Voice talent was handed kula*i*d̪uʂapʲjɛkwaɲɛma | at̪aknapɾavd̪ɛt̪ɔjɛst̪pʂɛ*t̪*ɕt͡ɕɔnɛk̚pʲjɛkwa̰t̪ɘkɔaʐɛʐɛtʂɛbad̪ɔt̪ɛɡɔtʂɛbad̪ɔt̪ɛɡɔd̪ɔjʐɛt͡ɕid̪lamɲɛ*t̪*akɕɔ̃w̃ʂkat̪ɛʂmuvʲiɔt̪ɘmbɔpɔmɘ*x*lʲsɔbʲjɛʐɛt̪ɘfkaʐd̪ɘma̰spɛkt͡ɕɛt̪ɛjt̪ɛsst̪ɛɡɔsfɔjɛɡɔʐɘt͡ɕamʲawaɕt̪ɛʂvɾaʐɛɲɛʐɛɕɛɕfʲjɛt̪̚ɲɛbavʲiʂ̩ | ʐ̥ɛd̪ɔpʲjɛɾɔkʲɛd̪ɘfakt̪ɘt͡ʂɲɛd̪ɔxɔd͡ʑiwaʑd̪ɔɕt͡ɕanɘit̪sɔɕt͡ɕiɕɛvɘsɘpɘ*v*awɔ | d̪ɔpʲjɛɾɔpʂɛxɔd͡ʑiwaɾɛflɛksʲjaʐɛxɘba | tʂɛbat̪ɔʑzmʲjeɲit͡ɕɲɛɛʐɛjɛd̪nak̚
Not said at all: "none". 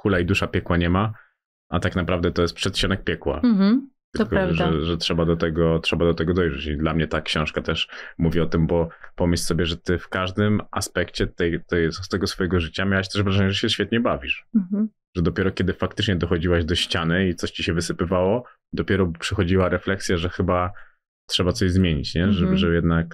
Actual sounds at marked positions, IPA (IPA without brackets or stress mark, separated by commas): i, t̪, t̪, ɕ, v